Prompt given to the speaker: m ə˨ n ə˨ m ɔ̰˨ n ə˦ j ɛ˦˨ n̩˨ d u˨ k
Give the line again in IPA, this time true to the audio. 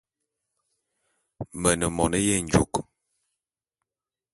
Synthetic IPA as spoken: m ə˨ n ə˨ m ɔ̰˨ n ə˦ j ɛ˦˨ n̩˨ d͡ʒ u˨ k